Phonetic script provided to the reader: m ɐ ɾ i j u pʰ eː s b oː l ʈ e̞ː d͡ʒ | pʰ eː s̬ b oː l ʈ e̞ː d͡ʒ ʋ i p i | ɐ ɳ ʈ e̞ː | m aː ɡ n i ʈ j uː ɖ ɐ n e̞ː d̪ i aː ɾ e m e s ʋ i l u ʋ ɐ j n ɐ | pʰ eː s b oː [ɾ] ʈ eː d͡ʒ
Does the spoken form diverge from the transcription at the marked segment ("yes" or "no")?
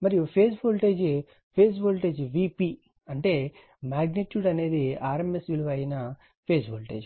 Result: yes